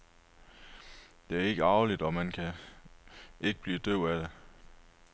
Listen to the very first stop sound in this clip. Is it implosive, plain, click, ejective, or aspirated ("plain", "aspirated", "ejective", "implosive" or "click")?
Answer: plain